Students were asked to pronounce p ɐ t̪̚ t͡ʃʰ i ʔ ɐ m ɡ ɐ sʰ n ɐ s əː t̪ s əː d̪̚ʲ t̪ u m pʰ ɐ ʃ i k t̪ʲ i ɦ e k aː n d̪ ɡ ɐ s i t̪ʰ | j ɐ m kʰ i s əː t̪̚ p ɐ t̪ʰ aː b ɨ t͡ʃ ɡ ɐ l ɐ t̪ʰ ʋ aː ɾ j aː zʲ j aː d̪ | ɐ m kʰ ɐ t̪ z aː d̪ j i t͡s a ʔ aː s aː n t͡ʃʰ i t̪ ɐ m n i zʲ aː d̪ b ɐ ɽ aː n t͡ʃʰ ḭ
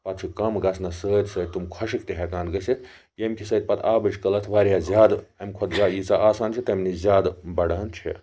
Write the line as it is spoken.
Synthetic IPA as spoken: p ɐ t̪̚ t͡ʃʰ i k ɐ m ɡ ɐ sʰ n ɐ s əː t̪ s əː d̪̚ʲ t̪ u m kʰ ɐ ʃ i k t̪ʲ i ɦ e k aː n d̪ ɡ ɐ s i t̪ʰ | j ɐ m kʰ i s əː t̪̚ p ɐ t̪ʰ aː b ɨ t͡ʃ k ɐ l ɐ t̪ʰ ʋ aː ɾ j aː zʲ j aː d̪ | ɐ m kʰ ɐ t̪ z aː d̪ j i t͡s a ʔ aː s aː n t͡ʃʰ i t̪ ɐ m n i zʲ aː d̪ b ɐ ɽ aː n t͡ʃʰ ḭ